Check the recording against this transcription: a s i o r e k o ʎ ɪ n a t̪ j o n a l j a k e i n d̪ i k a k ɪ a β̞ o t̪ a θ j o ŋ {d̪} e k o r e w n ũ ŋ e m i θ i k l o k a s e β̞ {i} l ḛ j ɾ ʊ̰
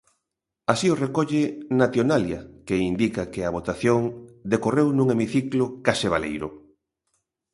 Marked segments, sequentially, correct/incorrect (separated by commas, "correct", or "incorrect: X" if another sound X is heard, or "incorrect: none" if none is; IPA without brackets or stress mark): correct, incorrect: a